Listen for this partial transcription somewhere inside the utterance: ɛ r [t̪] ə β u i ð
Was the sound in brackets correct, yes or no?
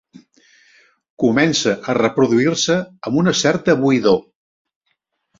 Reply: yes